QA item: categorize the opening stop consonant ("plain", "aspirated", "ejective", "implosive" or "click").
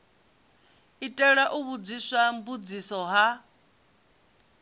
ejective